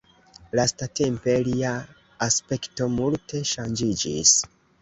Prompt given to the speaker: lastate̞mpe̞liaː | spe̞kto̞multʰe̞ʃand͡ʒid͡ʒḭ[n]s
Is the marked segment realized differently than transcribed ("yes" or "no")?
yes